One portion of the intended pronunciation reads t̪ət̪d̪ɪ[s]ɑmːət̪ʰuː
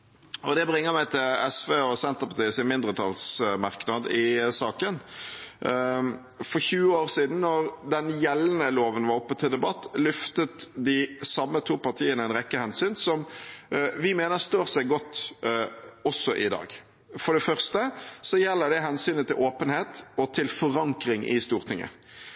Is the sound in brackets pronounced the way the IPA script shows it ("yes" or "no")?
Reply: yes